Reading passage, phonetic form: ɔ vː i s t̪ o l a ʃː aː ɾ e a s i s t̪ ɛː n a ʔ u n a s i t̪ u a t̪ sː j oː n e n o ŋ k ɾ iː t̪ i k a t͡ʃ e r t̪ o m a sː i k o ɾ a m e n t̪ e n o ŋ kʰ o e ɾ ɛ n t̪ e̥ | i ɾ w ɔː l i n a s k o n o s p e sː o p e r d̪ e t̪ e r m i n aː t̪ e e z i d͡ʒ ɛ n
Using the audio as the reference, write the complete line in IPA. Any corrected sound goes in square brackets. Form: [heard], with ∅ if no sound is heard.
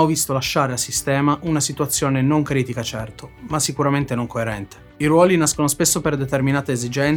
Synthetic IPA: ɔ [v] i s t̪ o l a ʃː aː ɾ e a s i s t̪ ɛː [m] a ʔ u n a s i t̪ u a t̪ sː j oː n e n o ŋ k ɾ iː t̪ i k a t͡ʃ [ɛ] r t̪ o m a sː i k [u] ɾ a m e n t̪ e n o ŋ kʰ o e ɾ ɛ n t̪ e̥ | i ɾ w ɔː l i n a s k o n o s p e sː o p e r d̪ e t̪ e r m i n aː t̪ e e z i d͡ʒ ɛ n